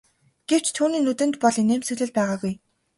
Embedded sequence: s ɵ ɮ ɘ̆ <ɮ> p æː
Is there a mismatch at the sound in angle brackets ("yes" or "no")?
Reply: no